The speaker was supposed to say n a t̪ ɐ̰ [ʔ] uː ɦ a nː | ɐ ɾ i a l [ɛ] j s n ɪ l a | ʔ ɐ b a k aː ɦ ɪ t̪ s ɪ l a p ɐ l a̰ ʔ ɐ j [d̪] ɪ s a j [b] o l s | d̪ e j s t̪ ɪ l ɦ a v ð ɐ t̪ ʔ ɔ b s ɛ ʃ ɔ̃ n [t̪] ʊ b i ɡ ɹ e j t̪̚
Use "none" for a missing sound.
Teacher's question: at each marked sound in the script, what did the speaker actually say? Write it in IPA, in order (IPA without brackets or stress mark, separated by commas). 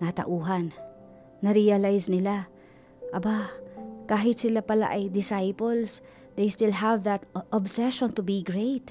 ʔ, a, d̪, p, t̪